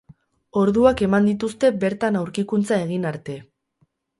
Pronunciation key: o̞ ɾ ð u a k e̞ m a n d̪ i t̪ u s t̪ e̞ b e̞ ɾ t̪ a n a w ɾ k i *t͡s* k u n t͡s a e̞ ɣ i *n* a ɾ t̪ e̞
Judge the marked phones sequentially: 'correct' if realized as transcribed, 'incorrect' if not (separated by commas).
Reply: incorrect, correct